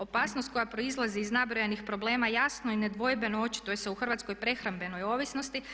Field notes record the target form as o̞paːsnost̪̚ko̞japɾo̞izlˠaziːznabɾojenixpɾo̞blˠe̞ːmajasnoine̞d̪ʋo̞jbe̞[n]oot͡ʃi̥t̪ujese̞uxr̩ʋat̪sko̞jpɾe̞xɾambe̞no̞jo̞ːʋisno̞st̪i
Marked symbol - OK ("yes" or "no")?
yes